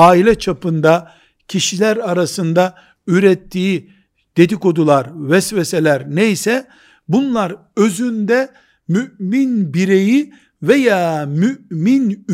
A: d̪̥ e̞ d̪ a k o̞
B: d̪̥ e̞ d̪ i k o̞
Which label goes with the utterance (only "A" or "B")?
B